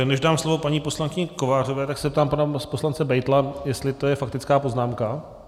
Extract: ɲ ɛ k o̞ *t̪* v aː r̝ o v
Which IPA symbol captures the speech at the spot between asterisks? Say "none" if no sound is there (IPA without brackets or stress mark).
none